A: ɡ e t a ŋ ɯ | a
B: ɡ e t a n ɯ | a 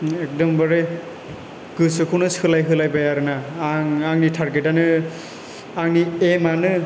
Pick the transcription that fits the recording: B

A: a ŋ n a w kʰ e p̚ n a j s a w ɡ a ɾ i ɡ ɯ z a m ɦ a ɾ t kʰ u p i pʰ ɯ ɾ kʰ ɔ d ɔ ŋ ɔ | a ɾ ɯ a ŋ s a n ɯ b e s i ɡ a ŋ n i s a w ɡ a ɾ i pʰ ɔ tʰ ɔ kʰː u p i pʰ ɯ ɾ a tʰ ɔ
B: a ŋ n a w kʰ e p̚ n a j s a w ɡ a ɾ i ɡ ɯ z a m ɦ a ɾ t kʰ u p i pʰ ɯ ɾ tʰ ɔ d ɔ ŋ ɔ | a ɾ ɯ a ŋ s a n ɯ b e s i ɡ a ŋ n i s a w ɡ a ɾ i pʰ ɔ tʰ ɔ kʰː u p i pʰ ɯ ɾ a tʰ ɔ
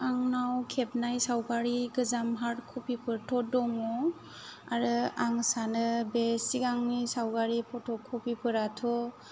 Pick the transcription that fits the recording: B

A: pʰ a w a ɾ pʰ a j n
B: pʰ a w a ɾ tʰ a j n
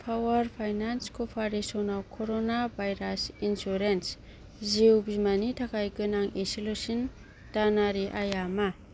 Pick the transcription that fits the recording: A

